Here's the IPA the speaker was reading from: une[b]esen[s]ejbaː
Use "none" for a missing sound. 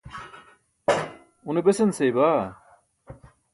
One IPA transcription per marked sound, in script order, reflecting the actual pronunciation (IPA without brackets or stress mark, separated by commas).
b, s